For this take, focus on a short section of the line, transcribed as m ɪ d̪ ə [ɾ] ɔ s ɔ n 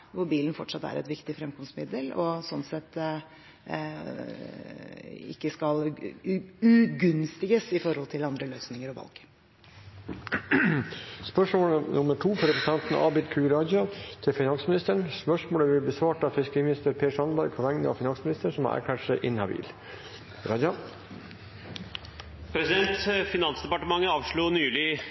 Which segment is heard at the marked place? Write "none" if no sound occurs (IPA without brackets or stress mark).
l